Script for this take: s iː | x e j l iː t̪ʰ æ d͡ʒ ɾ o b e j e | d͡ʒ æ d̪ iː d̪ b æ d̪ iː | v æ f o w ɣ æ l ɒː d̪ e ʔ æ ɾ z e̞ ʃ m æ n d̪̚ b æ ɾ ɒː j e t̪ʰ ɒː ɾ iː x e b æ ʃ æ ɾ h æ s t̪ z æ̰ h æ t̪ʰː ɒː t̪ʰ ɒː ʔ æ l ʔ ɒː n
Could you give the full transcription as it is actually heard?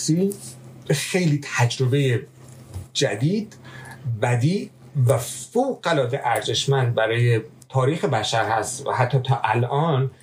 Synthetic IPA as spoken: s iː | x e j l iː t̪ʰ æ d͡ʒ ɾ o b e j e | d͡ʒ æ d̪ iː d̪ b æ d̪ iː | v æ f o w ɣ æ l ɒː d̪ e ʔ æ ɾ z e̞ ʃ m æ n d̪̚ b æ ɾ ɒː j e t̪ʰ ɒː ɾ iː x e b æ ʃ æ ɾ h æ s t̪ v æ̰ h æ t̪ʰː ɒː t̪ʰ ɒː ʔ æ l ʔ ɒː n